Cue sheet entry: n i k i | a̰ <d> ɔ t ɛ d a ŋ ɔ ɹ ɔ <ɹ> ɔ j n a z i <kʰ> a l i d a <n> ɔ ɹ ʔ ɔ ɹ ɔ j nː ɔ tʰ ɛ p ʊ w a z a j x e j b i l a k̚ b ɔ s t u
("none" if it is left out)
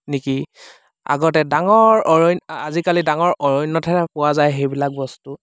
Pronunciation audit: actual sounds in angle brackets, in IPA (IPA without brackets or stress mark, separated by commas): ɡ, ɹ, k, ŋ